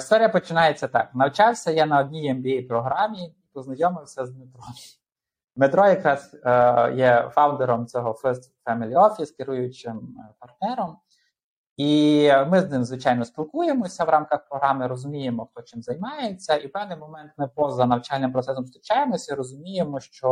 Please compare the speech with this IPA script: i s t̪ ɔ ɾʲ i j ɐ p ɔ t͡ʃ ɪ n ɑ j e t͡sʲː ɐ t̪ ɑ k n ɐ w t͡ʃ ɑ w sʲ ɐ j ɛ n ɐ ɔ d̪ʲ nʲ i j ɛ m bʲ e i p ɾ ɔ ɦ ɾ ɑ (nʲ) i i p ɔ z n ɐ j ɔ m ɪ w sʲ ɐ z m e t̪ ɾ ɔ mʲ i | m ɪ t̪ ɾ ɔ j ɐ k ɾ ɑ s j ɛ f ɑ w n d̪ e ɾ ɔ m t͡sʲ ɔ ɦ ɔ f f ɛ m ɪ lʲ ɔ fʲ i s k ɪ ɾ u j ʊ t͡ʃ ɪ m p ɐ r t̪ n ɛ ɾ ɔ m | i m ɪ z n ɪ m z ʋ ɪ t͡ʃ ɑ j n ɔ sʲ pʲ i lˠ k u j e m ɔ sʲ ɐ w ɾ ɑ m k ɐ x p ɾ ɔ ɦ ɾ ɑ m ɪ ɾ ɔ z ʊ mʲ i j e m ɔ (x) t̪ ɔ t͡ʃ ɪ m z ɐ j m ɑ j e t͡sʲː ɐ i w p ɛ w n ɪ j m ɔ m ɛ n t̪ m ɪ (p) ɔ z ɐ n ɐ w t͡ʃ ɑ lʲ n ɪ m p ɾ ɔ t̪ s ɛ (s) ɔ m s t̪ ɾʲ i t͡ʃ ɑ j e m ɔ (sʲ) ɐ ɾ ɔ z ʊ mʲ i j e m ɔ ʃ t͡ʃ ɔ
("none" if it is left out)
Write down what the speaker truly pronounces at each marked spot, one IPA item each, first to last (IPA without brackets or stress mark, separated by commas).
mʲ, x, p, s, sʲ